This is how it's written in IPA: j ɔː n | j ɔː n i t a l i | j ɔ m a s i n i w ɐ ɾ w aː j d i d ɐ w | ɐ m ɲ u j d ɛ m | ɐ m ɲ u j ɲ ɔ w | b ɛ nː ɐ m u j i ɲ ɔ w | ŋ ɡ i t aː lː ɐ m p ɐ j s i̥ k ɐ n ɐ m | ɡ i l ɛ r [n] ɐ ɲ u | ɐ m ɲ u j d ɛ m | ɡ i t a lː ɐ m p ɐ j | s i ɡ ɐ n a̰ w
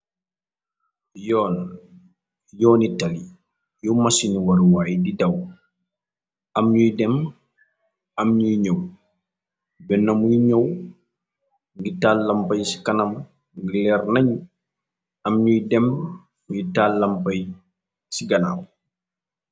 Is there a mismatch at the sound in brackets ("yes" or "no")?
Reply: no